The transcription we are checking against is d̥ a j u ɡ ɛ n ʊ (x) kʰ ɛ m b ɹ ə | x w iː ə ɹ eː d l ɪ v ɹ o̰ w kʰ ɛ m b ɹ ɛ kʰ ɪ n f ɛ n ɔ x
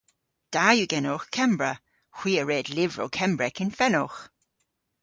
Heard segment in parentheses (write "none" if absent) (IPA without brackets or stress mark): x